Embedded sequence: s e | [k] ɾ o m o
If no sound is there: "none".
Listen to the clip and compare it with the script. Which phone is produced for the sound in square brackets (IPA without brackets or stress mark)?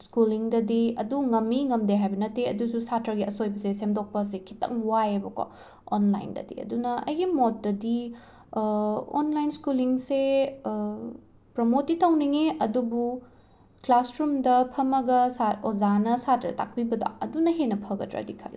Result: p